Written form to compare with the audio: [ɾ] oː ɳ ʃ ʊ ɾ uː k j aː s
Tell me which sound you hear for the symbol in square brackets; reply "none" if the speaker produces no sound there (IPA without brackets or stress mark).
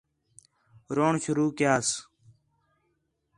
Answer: ɾ